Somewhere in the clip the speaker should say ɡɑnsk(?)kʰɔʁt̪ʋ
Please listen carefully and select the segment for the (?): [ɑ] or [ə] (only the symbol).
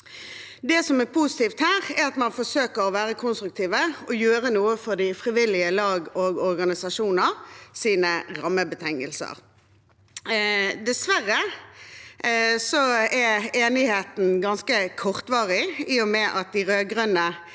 ə